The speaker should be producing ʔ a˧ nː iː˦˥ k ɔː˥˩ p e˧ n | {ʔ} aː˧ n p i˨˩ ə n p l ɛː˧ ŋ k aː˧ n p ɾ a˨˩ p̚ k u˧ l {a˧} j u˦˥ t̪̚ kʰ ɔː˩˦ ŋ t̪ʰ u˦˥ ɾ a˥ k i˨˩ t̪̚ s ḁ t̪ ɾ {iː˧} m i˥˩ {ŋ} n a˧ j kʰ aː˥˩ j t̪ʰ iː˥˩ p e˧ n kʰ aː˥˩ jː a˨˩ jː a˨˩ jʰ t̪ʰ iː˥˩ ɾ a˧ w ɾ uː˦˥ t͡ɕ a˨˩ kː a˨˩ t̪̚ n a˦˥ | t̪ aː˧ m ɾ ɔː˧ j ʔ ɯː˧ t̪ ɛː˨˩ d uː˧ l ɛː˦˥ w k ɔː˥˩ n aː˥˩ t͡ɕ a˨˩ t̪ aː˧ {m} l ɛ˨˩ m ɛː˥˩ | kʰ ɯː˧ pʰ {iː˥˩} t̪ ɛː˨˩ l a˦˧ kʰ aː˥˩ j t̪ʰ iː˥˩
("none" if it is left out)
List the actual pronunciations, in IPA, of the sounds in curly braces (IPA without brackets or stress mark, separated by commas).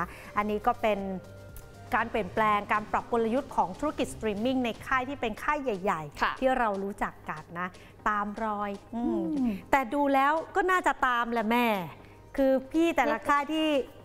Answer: k, a˧, iː˧, ŋ, m, iː˥˩